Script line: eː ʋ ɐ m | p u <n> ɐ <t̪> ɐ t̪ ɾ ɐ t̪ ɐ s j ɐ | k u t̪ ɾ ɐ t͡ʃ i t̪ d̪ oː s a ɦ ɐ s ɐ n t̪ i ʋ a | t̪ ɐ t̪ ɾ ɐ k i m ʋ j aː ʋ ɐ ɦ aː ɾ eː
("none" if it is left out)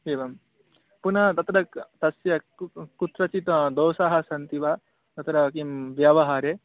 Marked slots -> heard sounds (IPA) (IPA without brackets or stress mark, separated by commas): n, t̪